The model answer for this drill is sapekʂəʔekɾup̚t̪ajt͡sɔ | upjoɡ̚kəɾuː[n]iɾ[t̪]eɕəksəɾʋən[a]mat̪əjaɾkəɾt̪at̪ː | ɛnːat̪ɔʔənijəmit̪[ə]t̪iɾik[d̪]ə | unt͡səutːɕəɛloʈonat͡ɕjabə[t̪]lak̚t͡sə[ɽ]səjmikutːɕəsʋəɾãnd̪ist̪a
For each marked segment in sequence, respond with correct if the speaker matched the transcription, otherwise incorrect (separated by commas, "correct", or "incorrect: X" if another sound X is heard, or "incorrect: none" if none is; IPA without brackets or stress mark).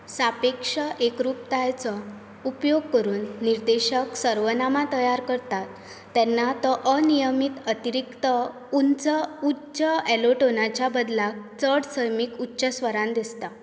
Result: incorrect: nː, incorrect: d̪, correct, correct, incorrect: t̪, incorrect: d̪, correct